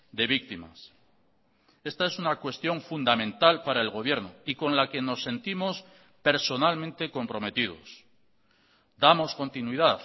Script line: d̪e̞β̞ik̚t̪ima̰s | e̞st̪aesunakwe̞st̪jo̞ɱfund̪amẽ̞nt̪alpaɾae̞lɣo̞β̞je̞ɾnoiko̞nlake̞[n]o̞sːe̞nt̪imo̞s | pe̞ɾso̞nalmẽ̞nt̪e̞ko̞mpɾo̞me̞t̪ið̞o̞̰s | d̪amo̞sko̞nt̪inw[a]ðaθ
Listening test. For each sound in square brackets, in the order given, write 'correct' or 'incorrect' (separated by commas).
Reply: correct, incorrect